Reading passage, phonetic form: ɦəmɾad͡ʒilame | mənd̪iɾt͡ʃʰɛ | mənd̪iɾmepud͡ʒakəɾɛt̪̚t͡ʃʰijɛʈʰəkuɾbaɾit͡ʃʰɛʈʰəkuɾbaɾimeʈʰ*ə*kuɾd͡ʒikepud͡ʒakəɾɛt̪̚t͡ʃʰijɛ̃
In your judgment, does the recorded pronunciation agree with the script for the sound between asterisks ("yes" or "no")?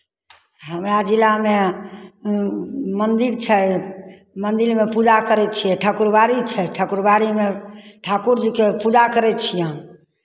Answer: no